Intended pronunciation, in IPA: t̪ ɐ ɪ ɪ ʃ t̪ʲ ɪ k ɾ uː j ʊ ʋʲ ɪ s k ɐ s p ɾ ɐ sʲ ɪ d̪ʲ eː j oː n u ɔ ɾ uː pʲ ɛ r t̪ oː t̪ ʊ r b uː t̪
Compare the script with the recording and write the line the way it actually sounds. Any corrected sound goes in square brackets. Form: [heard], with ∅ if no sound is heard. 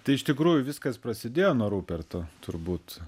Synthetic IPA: t̪ ɐ ɪ ɪ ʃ t̪ʲ ɪ k ɾ uː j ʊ ʋʲ ɪ s k ɐ s p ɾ ɐ sʲ ɪ d̪ʲ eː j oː n u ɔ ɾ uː pʲ ɛ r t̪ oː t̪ ʊ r b uː t̪